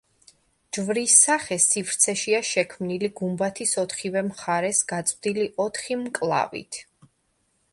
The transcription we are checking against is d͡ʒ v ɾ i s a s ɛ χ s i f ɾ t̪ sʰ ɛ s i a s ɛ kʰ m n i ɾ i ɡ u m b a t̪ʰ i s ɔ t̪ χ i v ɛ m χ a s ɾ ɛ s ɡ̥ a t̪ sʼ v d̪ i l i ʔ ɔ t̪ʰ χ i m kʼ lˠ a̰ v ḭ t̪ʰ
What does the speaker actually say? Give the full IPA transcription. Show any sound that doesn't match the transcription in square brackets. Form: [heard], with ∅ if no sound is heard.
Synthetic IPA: d͡ʒ v ɾ i s a [χ] ɛ [∅] s i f ɾ t̪ sʰ ɛ [ʃ] i a [ʃ] ɛ kʰ m n i [l] i ɡ u m b a t̪ʰ i s ɔ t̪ χ i v ɛ m χ a [∅] ɾ ɛ s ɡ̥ a t̪ sʼ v d̪ i l i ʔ ɔ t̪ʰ χ i m kʼ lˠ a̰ v ḭ t̪ʰ